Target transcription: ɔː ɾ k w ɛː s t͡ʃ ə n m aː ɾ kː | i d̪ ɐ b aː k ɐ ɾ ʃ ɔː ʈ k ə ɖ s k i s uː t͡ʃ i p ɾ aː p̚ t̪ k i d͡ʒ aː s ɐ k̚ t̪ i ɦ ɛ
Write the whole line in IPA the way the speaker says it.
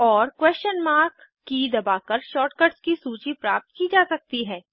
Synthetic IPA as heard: ɔː ɾ k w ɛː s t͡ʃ ə n m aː ɾ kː | i d̪ ɐ b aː k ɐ ɾ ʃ ɔː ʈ k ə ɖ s k i s uː t͡ʃ i p ɾ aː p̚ t̪ k i d͡ʒ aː s ɐ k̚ t̪ i ɦ ɛː